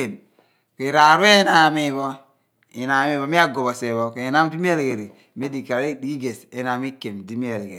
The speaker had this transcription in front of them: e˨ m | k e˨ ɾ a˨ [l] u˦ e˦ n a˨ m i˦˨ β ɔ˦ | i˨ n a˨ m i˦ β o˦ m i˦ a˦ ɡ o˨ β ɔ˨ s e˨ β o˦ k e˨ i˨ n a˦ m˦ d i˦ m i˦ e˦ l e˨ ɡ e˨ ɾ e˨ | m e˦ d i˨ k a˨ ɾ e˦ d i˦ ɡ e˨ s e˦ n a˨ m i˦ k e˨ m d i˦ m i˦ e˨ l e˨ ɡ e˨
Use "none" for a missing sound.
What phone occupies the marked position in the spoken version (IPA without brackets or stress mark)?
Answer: ɾ